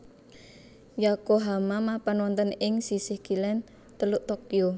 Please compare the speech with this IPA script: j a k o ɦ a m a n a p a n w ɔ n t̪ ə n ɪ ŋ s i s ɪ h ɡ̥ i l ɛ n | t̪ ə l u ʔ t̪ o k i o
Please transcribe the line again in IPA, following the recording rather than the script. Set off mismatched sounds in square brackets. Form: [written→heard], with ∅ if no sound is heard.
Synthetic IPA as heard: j a k o ɦ a m a [n→m] a p a n w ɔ n t̪ ə n ɪ ŋ s i s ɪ h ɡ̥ i l ɛ n | t̪ ə l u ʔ t̪ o k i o